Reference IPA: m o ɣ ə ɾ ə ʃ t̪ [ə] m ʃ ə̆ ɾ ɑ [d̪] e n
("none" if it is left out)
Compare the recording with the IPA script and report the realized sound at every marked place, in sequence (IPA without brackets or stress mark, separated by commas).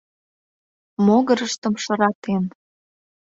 ə, t̪